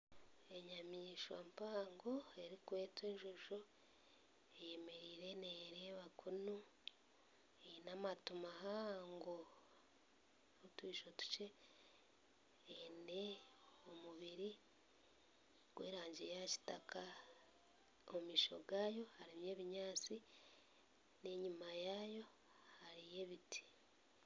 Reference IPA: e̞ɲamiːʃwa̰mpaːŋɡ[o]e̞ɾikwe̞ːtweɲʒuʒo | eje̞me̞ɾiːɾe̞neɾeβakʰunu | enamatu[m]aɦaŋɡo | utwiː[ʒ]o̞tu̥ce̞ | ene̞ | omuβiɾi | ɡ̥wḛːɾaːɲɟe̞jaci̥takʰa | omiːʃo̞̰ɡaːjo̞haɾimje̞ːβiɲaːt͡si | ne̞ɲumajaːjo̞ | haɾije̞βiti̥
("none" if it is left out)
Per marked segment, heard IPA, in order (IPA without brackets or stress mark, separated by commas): o, m, ʃ